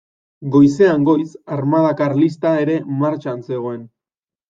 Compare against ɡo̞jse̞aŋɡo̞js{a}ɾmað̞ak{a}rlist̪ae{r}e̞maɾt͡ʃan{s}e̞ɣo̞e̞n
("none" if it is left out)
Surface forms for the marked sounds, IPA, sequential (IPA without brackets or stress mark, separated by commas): a, a, ɾ, s